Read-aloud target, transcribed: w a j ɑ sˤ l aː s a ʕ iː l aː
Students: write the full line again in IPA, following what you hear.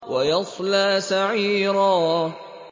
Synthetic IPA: w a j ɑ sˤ l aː s a ʕ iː ɾ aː